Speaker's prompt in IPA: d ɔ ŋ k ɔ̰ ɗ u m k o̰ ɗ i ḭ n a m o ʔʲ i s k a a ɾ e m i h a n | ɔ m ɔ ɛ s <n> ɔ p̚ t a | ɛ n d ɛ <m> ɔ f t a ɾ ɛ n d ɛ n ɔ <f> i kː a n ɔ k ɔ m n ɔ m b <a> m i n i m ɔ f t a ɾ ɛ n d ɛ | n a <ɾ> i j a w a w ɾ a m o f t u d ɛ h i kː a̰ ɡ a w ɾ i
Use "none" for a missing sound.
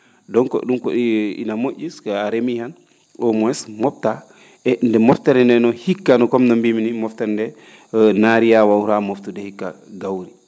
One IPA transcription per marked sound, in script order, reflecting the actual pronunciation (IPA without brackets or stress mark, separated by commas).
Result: m, m, h, i, ɾ